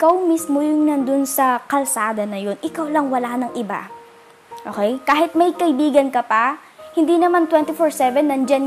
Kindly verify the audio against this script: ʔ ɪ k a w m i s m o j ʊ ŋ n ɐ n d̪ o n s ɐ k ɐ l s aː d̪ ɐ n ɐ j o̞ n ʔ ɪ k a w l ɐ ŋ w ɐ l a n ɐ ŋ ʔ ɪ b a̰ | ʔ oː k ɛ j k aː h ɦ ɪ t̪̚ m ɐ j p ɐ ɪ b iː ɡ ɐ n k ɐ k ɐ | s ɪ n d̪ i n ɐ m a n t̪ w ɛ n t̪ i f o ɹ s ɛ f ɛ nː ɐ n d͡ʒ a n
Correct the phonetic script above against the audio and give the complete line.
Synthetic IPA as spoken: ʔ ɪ k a w m i s m o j ʊ ŋ n ɐ n d̪ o n s ɐ k ɐ l s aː d̪ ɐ n ɐ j o̞ n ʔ ɪ k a w l ɐ ŋ w ɐ l a n ɐ ŋ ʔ ɪ b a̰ | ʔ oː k ɛ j k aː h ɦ ɪ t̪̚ m ɐ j k ɐ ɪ b iː ɡ ɐ n k ɐ p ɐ | h ɪ n d̪ i n ɐ m a n t̪ w ɛ n t̪ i f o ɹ s ɛ v ɛ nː ɐ n d͡ʒ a n